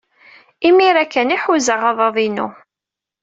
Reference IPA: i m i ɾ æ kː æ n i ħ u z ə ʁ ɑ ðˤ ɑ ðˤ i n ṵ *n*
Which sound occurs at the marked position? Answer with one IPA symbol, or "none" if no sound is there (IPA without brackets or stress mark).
none